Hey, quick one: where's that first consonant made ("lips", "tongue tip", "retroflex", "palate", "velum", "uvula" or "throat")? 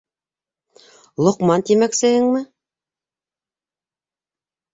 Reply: tongue tip